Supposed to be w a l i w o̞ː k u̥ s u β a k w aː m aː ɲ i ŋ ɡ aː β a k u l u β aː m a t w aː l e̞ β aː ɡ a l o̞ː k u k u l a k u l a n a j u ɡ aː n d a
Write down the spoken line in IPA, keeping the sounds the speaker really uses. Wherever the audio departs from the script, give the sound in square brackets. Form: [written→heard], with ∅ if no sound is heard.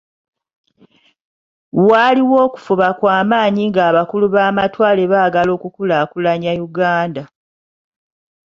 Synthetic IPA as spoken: w a l i w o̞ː k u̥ [s→f] u β a k w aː m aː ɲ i ŋ ɡ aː β a k u l u β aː m a t w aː l e̞ β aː ɡ a l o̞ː k u k u l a k u l a [n→ɲ] a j u ɡ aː n d a